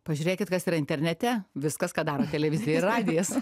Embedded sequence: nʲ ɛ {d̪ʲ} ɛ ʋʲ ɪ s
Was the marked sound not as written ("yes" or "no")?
yes